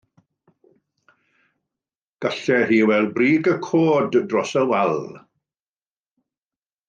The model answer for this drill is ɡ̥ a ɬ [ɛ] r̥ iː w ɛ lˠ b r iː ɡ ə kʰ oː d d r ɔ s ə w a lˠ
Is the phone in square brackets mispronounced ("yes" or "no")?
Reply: no